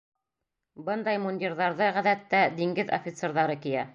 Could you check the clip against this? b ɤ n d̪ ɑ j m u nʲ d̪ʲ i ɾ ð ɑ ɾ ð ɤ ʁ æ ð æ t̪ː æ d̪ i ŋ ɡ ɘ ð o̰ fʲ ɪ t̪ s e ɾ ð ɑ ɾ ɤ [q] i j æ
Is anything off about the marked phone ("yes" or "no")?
yes